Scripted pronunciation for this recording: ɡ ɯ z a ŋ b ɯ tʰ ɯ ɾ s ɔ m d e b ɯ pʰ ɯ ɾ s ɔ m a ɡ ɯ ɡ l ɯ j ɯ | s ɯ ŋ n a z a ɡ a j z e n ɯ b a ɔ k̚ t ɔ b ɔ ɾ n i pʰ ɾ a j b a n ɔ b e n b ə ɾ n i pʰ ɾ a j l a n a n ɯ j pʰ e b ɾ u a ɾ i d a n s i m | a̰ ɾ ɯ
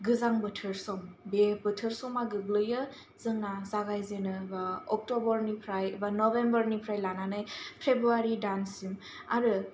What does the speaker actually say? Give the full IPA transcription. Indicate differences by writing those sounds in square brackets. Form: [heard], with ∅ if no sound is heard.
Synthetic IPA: ɡ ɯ z a ŋ b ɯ tʰ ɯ ɾ s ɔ m [b] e b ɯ [tʰ] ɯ ɾ s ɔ m a ɡ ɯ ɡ l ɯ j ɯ | [z] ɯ ŋ n a z a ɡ a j z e n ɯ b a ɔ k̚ t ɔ b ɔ ɾ n i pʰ ɾ a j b a n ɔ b e [m] b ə ɾ n i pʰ ɾ a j l a n a n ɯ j pʰ e b ɾ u a ɾ i d a n s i m | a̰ ɾ ɯ